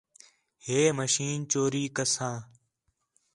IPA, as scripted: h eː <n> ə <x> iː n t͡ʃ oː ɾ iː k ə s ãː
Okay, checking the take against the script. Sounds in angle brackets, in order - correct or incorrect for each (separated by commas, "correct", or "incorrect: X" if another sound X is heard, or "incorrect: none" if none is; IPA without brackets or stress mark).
incorrect: m, incorrect: ʃ